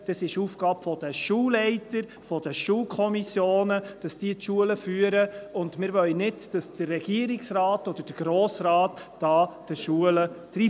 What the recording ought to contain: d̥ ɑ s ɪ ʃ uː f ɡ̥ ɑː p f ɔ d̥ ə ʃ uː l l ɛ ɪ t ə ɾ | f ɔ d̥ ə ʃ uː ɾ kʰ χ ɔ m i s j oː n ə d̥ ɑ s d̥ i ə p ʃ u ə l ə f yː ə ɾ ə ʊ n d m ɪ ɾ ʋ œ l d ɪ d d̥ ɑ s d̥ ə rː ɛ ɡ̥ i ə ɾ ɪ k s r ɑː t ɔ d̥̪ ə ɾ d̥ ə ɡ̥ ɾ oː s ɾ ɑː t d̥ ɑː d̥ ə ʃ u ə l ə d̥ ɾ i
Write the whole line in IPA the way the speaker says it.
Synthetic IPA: d̥ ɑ s ɪ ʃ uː f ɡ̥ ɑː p f ɔ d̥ ə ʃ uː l l ɛ ɪ t ə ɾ | f ɔ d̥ ə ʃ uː l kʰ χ ɔ m i s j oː n ə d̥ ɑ s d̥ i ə t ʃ u ə l ə f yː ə ɾ ə ʊ n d m ɪ ɾ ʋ œ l n ɪ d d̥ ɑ s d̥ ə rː ɛ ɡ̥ i ə ɾ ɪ k s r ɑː t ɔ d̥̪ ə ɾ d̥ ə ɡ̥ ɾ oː s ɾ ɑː t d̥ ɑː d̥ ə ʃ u ə l ə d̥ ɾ i